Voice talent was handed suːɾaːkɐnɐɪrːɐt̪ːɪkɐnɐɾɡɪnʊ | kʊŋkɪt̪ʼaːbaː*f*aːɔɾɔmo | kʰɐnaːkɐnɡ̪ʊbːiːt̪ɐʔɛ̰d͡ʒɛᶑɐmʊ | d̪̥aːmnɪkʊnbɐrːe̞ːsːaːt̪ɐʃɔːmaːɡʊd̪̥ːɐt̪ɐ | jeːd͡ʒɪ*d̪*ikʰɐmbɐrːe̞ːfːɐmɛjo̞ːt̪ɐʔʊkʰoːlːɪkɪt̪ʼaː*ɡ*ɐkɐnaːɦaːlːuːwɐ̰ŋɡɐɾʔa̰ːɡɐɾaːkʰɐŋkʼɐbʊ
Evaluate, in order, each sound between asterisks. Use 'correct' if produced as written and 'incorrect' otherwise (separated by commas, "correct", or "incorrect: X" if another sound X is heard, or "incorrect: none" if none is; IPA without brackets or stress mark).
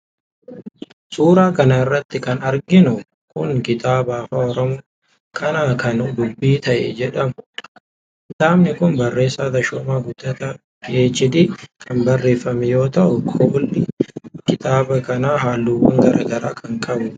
correct, correct, incorrect: b